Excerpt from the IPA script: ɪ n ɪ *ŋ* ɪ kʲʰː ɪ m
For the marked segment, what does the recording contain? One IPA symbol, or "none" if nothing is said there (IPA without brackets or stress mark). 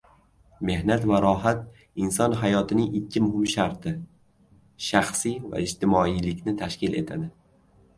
ŋ